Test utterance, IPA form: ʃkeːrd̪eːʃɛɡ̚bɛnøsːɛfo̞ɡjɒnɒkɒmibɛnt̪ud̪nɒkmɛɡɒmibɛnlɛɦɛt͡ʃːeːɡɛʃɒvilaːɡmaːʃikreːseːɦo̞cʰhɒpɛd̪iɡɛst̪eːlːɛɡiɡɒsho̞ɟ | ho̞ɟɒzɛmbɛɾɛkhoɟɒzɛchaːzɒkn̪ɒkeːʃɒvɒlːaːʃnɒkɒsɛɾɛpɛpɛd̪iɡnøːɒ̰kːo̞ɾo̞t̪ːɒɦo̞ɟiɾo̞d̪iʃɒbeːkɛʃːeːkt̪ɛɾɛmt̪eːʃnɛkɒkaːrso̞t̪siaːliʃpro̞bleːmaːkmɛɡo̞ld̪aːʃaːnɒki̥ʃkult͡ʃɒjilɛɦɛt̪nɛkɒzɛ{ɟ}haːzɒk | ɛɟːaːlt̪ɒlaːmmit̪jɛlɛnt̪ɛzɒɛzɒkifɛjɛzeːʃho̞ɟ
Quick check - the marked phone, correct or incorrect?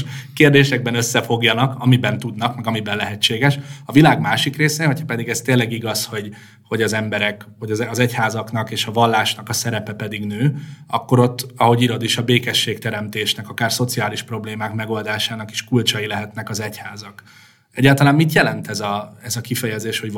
incorrect